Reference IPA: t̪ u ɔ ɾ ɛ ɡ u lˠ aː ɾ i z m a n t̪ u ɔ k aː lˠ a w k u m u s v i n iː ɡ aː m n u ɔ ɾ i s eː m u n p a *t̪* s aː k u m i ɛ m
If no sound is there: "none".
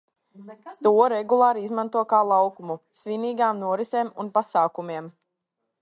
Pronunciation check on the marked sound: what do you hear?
none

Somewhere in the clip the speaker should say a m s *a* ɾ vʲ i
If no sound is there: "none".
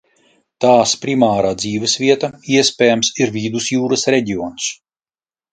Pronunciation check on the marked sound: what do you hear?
i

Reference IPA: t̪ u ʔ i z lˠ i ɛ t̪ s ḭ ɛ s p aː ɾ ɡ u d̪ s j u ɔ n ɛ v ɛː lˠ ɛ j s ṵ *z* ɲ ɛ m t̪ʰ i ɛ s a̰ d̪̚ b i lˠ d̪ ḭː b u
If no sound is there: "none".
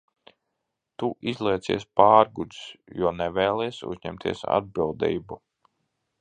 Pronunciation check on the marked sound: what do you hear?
z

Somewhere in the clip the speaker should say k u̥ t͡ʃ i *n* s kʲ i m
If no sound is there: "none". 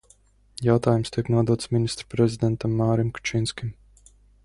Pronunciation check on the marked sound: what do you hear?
n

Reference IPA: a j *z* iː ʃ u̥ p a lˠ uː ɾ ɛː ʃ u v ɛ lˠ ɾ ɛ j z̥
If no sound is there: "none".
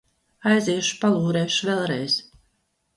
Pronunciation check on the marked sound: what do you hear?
z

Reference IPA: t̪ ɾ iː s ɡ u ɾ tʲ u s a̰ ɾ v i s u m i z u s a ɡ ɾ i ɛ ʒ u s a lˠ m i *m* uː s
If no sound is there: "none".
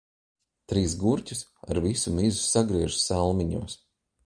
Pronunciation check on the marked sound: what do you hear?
ɲ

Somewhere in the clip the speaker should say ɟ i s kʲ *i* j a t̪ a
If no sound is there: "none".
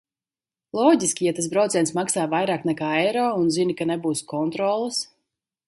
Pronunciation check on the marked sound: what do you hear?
i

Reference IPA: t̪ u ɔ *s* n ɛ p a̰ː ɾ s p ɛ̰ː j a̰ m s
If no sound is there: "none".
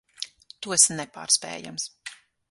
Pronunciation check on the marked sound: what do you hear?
s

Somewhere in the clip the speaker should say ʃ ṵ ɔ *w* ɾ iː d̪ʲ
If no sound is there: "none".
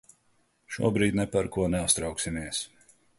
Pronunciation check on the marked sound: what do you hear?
b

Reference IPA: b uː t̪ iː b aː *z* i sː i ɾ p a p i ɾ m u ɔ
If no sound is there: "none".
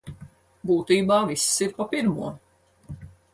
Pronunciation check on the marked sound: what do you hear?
v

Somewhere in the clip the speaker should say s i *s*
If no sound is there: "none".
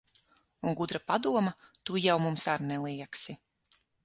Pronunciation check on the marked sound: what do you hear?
none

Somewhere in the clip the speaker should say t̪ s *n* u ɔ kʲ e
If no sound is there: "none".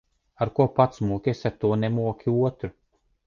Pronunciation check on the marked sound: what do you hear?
m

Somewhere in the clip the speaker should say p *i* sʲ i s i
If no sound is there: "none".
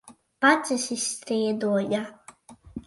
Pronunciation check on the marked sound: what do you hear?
a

